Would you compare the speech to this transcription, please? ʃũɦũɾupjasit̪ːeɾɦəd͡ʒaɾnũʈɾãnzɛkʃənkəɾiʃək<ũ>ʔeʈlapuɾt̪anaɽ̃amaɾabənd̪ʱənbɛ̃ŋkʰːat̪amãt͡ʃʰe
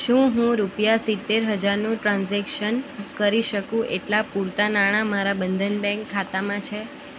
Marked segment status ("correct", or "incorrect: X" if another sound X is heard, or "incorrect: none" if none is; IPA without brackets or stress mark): correct